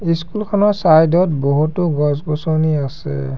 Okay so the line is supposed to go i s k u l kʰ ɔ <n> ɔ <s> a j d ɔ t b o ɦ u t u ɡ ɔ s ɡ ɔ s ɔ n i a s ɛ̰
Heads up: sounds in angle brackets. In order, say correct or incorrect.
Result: correct, correct

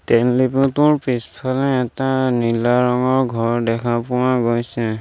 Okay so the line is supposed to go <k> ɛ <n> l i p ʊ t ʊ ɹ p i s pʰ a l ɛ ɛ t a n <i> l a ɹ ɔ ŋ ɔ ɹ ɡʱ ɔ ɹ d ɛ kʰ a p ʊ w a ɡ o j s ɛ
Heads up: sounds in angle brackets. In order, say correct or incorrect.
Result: incorrect: t, correct, correct

